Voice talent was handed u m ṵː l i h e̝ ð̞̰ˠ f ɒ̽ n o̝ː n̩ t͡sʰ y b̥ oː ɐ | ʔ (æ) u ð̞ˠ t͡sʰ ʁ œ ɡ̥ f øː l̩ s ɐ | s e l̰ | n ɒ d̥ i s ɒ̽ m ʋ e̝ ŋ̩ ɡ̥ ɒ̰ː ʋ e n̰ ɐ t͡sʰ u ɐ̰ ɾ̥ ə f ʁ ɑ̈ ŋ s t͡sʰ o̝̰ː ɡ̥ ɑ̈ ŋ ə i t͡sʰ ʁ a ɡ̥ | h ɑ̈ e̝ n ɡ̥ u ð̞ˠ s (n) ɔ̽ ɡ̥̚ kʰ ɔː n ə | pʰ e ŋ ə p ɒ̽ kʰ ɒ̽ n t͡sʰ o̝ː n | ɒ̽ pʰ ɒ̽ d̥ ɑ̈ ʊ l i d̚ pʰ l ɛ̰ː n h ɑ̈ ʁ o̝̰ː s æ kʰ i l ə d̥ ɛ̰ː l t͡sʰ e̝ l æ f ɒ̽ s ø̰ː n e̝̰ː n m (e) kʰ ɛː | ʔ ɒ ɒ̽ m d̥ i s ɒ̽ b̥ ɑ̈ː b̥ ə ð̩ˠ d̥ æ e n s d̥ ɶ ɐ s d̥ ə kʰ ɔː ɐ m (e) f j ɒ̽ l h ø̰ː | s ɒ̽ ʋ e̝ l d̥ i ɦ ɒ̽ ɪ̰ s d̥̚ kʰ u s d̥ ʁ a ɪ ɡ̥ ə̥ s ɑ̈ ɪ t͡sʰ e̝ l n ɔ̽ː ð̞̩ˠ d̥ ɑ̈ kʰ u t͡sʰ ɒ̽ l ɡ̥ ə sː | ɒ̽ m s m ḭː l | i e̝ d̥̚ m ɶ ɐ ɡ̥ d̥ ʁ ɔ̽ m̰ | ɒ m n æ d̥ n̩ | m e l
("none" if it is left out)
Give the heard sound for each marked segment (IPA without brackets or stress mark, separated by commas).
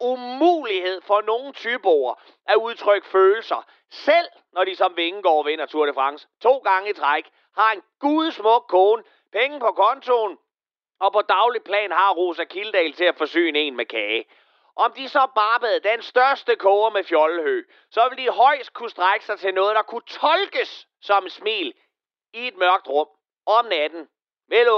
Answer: æ, m, e, e